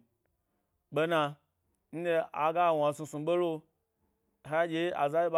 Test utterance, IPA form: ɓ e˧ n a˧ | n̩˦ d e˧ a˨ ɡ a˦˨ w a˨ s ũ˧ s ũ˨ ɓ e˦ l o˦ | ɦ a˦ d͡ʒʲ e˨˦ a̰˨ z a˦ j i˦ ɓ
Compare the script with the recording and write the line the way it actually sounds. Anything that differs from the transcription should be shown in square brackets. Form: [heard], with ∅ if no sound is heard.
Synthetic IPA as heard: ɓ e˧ n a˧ | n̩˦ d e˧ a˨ ɡ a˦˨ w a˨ s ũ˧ s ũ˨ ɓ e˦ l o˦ | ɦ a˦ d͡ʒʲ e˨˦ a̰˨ z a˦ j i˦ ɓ